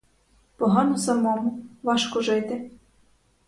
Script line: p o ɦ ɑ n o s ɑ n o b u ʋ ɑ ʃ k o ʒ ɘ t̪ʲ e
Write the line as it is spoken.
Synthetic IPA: p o ɦ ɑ n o s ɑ m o m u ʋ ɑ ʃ k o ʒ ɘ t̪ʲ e